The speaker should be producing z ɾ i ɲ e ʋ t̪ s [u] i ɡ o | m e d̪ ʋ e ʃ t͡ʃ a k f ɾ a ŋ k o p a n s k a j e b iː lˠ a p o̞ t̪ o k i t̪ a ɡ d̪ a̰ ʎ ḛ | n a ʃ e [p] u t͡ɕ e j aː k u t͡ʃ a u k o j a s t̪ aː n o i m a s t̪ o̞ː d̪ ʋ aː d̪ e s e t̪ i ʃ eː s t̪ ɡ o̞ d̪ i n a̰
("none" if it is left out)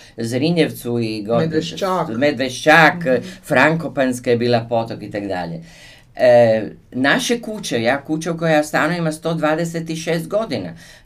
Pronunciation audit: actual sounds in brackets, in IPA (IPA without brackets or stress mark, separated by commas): u, k